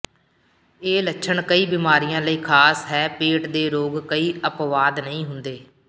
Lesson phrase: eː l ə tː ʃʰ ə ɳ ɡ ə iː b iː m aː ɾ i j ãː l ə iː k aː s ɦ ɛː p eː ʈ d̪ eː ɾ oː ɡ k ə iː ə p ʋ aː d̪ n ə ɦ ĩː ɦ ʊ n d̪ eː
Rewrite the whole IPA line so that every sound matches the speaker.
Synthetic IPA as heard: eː l ə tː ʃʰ ə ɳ k ə iː b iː m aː ɾ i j ãː l ə iː kʰ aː s ɦ ɛː p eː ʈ d̪ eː ɾ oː ɡ k ə iː ə p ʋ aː d̪ n ə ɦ ĩː ɦ ʊ n d̪ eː

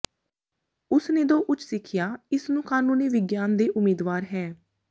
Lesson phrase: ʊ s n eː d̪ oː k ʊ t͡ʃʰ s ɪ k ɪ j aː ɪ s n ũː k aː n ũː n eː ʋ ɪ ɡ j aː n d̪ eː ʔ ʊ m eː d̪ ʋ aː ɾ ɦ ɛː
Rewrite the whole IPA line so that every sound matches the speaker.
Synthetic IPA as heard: ʊ s n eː d̪ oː ʔ ʊ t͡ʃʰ s ɪ kʰ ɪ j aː ɪ s n ũː k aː n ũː n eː ʋ ɪ ɡ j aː n d̪ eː ʔ ʊ m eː d̪ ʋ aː ɾ ɦ ɛː

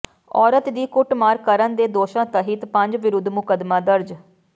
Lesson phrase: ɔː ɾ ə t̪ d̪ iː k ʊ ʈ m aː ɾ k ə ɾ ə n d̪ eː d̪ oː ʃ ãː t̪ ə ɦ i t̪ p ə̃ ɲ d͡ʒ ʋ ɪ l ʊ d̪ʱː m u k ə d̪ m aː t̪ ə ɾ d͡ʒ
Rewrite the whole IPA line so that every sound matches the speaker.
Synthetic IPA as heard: ɔː ɾ ə t̪ d̪ iː k ʊ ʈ m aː ɾ k ə ɾ ə n d̪ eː d̪ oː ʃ ãː t̪ ə ɦ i t̪ p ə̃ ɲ d͡ʒ ʋ ɪ ɾ ʊ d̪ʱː m ʊ k ə d̪ m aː d̪ ə ɾ d͡ʒ

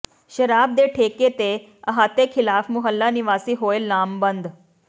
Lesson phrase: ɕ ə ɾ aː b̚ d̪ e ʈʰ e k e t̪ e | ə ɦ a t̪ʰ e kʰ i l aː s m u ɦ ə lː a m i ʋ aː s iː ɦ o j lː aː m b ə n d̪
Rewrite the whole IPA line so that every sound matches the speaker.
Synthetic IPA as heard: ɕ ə ɾ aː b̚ d̪ e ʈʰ e k e t̪ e | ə ɦ a t̪ e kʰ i l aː f m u ɦ ə lː a n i ʋ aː s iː ɦ o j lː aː m b ə n d̪

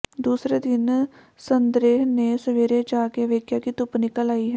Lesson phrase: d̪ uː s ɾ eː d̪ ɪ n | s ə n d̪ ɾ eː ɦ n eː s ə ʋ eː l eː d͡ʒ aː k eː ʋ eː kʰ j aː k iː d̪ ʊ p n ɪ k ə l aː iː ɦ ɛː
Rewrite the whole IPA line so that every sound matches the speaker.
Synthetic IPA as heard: d̪ uː s ɾ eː d̪ ɪ n | s ə n d̪ ɾ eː ɦ n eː s ə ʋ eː ɾ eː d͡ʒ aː k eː ʋ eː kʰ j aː k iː t̪ ʊ p n ɪ k ə l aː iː ɦ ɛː

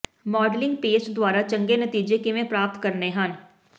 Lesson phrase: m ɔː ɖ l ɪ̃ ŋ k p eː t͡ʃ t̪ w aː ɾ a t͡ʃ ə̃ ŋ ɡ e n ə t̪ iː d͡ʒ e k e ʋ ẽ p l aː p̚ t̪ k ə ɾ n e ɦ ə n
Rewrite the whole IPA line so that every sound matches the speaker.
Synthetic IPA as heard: m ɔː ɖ l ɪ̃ ŋ ɡ p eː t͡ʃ d̪ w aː ɾ a t͡ʃ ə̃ ŋ ɡ e n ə t̪ iː d͡ʒ e k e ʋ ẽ p ɾ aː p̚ t̪ k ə ɾ n e ɦ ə n

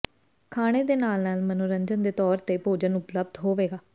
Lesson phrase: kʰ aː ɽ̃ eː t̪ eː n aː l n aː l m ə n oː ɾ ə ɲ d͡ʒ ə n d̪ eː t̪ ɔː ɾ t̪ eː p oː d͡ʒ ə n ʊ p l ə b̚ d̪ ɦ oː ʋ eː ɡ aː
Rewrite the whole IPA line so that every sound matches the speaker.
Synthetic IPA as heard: kʰ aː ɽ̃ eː d̪ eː n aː l n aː l m ə n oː ɾ ə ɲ d͡ʒ ə n d̪ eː t̪ ɔː ɾ t̪ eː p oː d͡ʒ ə n ʊ p l ə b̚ d̪ ɦ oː ʋ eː ɡ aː

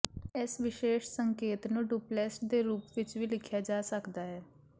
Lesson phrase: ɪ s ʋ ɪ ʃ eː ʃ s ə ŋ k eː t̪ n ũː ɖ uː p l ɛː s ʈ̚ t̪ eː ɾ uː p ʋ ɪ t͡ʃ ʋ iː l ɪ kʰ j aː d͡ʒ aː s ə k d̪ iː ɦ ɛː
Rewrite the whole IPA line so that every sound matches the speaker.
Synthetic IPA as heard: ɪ s ʋ ɪ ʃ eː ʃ s ə ŋ k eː t̪ n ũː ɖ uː p l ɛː s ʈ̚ d̪ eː ɾ uː p ʋ ɪ t͡ʃ ʋ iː l ɪ kʰ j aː d͡ʒ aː s ə k d̪ aː ɦ ɛː

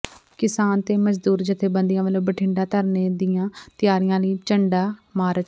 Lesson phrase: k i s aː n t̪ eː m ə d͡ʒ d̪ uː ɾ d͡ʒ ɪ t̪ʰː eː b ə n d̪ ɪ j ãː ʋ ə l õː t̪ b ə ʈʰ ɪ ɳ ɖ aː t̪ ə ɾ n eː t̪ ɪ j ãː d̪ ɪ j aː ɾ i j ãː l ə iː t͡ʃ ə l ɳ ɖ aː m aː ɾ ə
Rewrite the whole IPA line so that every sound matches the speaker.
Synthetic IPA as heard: k ɪ s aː n t̪ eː m ə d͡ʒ d̪ uː ɾ d͡ʒ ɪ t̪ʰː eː b ə n d̪ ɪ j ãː ʋ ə l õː b ə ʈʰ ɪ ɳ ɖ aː t̪ ə ɾ n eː d̪ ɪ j ãː t̪ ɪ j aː ɾ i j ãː l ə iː t͡ʃ ə ɳ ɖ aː m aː ɾ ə

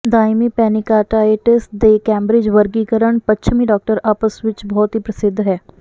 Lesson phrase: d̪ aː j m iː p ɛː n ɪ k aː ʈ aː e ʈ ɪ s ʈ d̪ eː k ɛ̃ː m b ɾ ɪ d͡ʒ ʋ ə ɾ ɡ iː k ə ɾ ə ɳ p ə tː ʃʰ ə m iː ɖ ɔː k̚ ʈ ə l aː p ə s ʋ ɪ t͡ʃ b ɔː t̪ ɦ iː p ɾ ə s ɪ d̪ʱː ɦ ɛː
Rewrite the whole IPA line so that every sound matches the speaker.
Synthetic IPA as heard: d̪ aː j m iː p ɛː n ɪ k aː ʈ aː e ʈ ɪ s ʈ d̪ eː k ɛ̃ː m b ɾ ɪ d͡ʒ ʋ ə ɾ ɡ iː k ə ɾ ə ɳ p ə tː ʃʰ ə m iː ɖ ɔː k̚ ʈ ə ɾ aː p ə s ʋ ɪ t͡ʃ b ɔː t̪ ɦ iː p ɾ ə s ɪ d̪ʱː ɦ ɛː

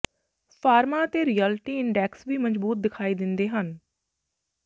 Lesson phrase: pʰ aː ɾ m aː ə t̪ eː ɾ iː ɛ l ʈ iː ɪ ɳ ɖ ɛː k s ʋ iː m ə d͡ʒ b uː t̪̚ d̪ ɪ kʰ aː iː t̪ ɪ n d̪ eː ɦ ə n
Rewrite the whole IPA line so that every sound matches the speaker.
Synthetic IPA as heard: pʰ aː ɾ m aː ə t̪ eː ɾ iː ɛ l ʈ iː ɪ ɳ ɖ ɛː k s ʋ iː m ə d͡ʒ b uː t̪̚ d̪ ɪ kʰ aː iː d̪ ɪ n d̪ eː ɦ ə n

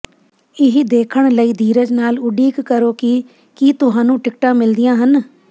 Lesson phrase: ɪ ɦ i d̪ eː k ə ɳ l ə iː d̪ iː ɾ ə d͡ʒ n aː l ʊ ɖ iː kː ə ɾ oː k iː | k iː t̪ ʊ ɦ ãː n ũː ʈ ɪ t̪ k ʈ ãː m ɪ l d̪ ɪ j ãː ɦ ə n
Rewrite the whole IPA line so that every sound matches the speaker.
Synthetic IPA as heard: ɪ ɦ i d̪ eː kʰ ə ɳ l ə iː d̪ iː ɾ ə d͡ʒ n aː l ʊ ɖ iː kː ə ɾ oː k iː | k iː t̪ ʊ ɦ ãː n ũː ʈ ɪ k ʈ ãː m ɪ l d̪ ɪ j ãː ɦ ə n

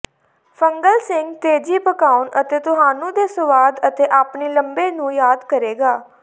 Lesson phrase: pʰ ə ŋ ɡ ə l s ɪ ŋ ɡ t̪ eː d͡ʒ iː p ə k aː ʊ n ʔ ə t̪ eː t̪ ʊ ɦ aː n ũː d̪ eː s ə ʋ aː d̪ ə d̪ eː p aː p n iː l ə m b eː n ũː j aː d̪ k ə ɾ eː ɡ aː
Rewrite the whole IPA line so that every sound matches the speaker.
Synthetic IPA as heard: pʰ ə ŋ ɡ ə l s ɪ ŋ ɡ t̪ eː d͡ʒ iː p ə k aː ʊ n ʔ ə t̪ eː t̪ ʊ ɦ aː n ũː d̪ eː s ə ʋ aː d̪ ə t̪ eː ʔ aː p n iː l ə m b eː n ũː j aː d̪ k ə ɾ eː ɡ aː

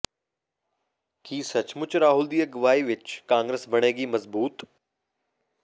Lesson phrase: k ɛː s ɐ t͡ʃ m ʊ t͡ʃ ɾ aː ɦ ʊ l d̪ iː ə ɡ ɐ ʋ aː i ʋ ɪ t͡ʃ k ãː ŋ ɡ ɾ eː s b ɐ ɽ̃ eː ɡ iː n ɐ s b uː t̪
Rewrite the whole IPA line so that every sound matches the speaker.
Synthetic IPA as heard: k iː s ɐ t͡ʃ m ʊ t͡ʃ ɾ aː ɦ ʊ l d̪ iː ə ɡ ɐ ʋ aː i ʋ ɪ t͡ʃ k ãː ŋ ɡ ɾ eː s b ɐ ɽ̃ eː ɡ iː m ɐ z b uː t̪

